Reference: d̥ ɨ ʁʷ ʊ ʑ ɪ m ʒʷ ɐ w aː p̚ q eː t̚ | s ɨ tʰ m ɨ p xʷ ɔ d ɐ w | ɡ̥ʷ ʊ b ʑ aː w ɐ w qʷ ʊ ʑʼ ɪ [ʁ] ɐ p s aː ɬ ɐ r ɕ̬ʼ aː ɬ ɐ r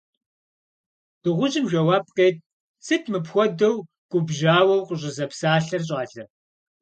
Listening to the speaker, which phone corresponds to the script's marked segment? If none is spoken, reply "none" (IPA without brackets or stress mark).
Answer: z